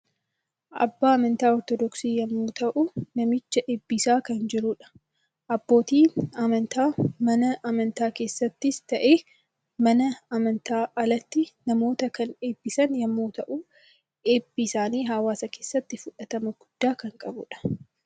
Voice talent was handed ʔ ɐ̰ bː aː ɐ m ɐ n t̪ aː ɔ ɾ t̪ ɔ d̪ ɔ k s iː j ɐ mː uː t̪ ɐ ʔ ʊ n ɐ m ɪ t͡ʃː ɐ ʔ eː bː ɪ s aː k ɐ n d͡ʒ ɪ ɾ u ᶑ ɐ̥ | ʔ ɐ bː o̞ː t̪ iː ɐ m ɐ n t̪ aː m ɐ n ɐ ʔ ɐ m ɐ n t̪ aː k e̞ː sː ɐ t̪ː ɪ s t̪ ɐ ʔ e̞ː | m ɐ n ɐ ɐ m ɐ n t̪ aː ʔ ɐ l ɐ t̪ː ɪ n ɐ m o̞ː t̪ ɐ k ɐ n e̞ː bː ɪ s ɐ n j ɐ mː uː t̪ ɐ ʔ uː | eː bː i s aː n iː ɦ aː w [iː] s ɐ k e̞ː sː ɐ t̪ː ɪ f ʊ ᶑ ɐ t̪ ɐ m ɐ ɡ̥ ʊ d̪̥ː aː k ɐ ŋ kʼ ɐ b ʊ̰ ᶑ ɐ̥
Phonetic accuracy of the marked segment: incorrect: aː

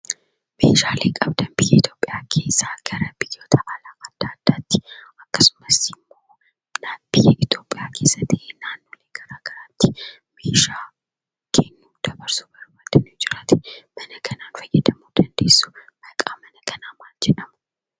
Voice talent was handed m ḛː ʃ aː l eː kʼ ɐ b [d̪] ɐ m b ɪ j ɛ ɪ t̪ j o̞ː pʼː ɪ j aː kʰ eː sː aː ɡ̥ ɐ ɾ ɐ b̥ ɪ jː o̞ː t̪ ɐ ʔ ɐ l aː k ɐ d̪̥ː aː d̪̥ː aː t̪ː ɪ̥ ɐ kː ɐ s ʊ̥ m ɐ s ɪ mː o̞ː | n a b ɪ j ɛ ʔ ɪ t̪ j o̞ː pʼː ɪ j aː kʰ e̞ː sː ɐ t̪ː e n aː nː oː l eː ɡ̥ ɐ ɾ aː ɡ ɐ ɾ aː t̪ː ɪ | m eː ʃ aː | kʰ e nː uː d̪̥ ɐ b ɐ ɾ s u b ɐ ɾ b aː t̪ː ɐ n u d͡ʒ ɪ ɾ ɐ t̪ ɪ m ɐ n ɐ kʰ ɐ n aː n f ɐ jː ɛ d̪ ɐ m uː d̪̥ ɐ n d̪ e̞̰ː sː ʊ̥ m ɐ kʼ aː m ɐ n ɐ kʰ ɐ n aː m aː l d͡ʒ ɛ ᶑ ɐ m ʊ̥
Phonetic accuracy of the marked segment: correct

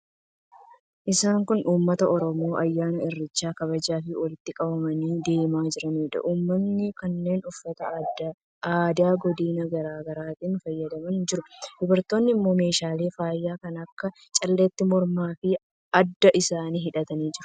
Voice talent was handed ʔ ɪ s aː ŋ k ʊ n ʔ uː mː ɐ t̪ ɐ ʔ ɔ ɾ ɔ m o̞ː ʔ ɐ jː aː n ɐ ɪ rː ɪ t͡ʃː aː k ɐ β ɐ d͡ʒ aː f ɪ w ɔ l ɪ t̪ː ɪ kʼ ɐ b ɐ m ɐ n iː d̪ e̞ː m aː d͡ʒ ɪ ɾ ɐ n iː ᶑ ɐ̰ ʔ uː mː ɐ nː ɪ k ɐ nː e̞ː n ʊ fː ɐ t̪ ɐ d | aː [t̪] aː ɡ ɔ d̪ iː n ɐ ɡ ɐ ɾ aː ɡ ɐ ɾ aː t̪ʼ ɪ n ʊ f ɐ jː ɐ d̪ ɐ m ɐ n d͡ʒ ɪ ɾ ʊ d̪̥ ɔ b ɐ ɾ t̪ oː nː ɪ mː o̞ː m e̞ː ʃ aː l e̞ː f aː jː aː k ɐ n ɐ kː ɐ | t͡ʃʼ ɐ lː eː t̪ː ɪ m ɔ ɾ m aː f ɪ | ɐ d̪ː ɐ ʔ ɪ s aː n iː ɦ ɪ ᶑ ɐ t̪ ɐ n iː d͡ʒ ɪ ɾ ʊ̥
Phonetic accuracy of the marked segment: incorrect: d̪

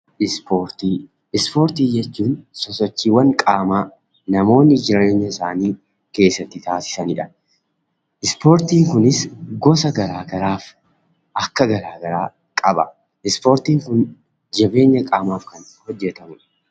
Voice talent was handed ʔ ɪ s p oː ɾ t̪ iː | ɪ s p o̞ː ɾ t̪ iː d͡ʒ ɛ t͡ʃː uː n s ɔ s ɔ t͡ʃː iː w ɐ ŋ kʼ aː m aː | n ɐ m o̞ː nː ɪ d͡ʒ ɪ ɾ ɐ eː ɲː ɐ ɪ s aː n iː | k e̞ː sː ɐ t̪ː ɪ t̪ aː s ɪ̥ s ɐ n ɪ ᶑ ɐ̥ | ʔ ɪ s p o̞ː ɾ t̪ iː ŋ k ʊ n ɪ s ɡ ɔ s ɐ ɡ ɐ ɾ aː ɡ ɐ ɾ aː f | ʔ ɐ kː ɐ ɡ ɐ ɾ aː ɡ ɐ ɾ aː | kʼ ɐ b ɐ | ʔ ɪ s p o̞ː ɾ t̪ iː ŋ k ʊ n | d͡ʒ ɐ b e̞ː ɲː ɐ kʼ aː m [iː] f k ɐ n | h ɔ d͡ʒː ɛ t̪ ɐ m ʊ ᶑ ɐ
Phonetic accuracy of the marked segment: incorrect: aː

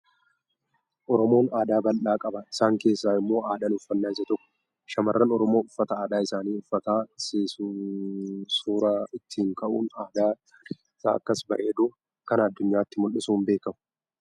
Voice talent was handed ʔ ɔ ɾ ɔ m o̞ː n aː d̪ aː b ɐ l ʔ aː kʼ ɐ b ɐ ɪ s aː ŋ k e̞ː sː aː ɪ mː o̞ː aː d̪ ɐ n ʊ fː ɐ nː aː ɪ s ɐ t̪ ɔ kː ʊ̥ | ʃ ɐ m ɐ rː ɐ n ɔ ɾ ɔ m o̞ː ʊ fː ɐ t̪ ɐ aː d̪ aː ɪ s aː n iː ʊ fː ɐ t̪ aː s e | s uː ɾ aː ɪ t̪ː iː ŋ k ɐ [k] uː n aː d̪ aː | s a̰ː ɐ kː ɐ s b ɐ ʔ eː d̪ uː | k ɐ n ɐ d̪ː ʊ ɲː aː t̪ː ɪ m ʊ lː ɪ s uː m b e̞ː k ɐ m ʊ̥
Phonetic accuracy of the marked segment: incorrect: ʔ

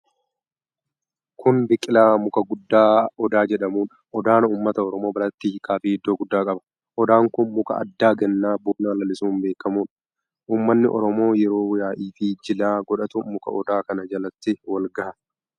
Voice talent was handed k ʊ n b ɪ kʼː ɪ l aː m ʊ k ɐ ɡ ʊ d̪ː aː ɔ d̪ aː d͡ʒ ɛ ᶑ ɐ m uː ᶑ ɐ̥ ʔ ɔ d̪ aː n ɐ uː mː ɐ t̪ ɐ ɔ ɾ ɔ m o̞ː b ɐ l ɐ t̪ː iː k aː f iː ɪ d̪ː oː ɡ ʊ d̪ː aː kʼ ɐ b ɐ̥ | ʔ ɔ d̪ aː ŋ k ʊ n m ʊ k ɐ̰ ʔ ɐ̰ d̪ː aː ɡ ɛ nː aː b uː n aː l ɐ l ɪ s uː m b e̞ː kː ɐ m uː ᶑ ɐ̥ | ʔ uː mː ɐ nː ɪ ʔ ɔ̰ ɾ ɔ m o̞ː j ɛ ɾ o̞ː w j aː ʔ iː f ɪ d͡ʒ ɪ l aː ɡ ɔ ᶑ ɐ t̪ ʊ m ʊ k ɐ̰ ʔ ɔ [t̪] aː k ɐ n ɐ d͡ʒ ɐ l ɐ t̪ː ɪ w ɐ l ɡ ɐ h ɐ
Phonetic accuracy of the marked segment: incorrect: d̪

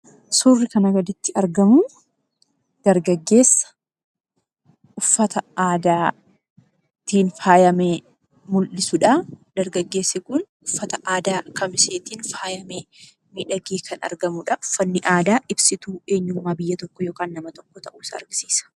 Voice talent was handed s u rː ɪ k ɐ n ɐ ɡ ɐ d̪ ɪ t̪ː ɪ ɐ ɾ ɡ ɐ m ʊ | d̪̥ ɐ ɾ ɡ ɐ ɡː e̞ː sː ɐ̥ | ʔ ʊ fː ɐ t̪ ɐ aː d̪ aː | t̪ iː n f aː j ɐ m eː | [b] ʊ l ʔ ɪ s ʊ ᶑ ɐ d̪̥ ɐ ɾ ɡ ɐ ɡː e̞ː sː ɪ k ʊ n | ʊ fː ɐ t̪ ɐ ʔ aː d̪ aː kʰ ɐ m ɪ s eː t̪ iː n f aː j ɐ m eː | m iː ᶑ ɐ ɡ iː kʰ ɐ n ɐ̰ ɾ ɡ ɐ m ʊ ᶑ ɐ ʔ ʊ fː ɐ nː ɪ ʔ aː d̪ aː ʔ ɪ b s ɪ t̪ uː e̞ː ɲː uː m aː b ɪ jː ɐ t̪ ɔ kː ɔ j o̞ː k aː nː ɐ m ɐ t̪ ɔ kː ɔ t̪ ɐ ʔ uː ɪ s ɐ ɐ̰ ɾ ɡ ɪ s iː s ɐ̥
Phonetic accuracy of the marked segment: incorrect: m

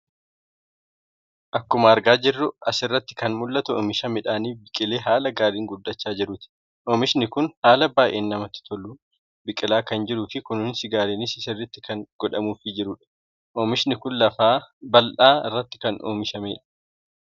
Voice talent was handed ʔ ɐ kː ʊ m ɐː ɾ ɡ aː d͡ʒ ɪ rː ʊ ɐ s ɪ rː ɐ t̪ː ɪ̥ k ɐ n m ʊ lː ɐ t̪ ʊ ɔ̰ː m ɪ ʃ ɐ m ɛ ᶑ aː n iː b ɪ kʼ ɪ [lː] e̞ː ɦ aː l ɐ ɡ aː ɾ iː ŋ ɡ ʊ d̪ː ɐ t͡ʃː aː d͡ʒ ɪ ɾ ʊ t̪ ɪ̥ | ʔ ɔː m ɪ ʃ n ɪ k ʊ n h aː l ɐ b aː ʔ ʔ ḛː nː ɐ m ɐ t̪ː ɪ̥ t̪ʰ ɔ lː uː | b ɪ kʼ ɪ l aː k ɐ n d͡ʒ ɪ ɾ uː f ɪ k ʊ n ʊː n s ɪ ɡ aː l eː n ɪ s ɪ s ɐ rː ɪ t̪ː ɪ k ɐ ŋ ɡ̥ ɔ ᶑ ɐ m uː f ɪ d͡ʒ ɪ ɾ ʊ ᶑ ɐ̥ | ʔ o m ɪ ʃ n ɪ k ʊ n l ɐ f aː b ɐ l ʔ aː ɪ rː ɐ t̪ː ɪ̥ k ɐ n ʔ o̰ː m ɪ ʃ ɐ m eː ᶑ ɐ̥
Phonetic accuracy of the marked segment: incorrect: l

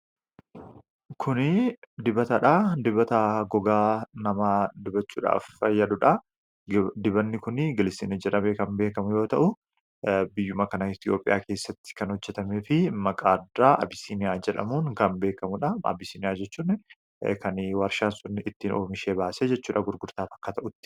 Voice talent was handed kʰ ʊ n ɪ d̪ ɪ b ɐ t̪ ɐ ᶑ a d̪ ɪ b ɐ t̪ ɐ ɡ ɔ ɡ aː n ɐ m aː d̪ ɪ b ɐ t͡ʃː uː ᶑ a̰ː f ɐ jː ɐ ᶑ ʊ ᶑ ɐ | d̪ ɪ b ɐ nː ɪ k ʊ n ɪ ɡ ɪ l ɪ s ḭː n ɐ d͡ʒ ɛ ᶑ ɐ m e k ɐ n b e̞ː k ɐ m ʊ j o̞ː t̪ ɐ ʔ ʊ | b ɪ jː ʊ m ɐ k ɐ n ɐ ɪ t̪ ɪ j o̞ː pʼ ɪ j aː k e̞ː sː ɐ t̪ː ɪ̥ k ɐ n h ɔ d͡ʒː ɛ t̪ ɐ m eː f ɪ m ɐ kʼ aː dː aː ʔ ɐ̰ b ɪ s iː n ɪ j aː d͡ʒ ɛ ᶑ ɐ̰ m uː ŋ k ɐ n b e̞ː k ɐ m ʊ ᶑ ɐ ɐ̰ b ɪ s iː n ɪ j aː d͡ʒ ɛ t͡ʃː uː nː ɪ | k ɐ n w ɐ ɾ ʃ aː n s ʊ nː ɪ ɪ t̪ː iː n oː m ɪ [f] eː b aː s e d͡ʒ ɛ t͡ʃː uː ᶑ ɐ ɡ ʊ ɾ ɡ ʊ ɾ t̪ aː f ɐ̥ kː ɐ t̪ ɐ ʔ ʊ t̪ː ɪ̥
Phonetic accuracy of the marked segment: incorrect: ʃ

